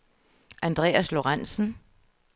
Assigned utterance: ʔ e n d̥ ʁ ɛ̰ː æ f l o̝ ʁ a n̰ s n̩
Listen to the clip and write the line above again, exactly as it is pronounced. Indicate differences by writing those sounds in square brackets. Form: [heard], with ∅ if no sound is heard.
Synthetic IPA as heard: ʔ [æ] n d̥ ʁ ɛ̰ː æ [s] l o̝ ʁ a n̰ s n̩